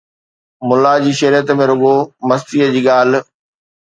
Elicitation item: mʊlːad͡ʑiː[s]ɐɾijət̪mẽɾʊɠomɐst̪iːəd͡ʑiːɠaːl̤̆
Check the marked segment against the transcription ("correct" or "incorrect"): incorrect